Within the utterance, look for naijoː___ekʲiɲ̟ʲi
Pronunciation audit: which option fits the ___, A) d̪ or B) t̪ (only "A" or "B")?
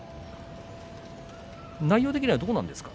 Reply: B